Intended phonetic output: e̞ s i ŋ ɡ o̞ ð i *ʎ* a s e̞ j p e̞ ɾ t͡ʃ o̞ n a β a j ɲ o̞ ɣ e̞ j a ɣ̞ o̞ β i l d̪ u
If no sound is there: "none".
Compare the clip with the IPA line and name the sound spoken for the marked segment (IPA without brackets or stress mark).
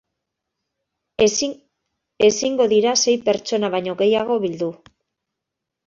ɾ